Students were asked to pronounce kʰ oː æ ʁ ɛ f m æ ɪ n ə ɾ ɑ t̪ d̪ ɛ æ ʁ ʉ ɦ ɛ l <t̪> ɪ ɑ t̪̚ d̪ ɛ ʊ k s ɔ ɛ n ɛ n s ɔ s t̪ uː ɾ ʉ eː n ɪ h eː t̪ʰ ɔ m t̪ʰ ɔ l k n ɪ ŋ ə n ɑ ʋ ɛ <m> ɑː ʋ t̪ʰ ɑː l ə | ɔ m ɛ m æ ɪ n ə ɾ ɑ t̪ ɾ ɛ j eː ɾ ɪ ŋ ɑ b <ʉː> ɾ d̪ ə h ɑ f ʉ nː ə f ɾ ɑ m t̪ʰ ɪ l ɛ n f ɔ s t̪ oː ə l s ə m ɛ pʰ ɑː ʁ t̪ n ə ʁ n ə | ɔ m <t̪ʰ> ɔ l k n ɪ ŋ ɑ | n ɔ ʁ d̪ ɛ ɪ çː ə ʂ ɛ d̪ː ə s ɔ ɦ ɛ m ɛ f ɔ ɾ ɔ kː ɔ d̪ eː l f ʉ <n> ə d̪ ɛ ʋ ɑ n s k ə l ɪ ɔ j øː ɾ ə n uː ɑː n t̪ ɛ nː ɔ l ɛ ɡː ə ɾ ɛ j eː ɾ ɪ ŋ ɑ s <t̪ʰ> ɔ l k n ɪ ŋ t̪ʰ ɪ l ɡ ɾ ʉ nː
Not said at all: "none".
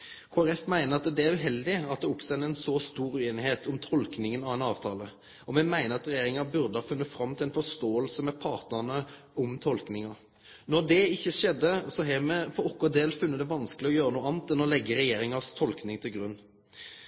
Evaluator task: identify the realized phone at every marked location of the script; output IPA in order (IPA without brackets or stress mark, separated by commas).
d̪, n, ʉ, t̪ʰ, nː, t̪ʰ